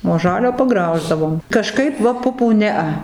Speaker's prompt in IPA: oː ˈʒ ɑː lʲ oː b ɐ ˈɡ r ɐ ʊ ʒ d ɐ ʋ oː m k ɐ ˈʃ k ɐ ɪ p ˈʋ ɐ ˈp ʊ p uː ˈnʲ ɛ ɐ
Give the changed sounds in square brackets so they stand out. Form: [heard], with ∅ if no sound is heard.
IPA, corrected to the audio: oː ˈʒ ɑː lʲ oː [p] ɐ ˈɡ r ɐ ʊ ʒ d ɐ ʋ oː m k ɐ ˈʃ k ɐ ɪ p ˈʋ ɐ ˈp ʊ p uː ˈnʲ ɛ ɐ